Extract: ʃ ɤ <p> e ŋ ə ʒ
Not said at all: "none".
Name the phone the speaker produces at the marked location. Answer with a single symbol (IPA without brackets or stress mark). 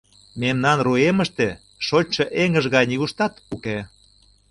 ʔ